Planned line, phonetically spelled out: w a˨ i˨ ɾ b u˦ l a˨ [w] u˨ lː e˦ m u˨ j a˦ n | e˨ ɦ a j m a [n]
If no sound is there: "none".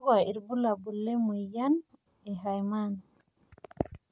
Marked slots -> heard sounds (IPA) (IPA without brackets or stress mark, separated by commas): b, n